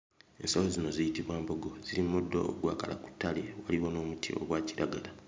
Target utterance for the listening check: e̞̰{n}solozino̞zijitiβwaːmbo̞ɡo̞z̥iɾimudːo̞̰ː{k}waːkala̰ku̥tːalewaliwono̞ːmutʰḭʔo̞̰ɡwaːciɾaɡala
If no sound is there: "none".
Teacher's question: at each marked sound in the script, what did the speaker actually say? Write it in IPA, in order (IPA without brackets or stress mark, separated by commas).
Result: n, ɡ